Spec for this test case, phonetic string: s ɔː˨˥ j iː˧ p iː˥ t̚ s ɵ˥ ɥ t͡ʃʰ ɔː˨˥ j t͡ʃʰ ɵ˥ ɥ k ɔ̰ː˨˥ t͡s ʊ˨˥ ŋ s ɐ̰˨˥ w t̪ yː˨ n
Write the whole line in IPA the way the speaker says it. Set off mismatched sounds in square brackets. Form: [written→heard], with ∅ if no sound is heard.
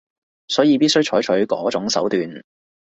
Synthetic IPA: s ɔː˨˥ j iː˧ p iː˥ t̚ s ɵ˥ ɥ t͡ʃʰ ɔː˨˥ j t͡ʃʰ [ɵ˥→ɵ˨˥] ɥ k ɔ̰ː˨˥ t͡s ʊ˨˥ ŋ s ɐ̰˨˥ w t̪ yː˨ n